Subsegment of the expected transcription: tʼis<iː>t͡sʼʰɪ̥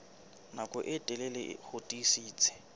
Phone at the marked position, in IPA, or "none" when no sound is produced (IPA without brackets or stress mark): iː